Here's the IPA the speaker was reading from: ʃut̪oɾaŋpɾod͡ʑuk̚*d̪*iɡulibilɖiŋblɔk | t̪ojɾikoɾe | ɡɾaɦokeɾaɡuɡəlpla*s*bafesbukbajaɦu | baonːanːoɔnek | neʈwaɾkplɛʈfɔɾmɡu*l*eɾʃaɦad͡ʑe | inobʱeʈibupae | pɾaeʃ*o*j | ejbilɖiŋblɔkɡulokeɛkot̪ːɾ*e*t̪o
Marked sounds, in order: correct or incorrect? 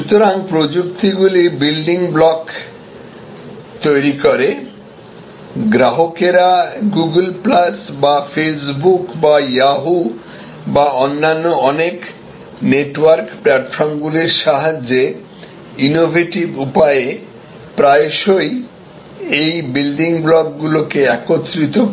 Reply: incorrect, correct, correct, correct, incorrect

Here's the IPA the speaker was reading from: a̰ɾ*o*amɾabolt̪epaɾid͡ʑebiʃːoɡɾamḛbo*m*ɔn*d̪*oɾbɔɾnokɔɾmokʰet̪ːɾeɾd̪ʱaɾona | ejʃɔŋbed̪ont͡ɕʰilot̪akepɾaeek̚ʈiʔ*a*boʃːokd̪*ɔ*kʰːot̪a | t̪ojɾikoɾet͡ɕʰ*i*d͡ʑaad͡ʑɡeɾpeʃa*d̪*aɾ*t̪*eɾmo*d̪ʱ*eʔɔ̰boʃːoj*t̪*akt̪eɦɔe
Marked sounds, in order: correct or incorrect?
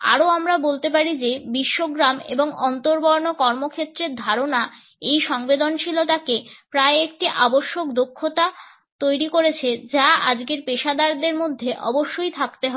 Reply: correct, incorrect, incorrect, correct, incorrect, incorrect, correct, incorrect, incorrect, incorrect

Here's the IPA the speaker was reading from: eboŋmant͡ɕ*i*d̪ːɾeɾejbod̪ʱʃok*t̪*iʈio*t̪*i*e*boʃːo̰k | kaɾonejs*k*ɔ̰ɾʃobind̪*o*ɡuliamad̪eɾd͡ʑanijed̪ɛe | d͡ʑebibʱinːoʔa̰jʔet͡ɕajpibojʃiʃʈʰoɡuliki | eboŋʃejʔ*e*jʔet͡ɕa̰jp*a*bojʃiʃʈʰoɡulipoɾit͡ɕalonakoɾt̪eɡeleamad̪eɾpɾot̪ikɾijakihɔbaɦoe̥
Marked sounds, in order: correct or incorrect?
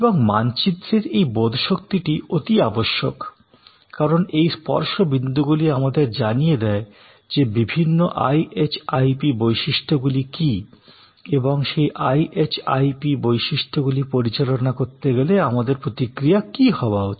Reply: correct, correct, correct, incorrect, incorrect, incorrect, incorrect, incorrect

